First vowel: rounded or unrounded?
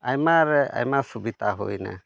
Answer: unrounded